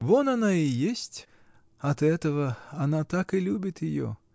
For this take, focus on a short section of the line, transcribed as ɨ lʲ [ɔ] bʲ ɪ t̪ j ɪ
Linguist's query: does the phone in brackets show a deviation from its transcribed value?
yes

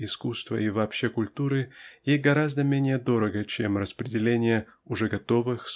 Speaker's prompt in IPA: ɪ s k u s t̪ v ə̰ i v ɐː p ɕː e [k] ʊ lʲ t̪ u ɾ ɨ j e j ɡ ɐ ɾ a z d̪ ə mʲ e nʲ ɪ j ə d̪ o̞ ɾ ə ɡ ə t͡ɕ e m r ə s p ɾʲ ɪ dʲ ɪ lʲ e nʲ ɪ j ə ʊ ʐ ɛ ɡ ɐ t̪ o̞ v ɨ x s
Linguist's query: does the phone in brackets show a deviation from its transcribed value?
no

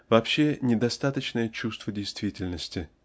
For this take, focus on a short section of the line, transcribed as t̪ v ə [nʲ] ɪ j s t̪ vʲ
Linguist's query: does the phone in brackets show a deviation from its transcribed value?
yes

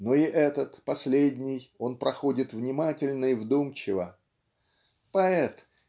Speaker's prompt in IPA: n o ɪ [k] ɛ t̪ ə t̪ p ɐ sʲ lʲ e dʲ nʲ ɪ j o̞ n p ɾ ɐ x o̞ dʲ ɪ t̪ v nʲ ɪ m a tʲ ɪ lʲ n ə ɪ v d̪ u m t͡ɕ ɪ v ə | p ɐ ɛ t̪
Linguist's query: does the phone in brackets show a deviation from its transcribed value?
yes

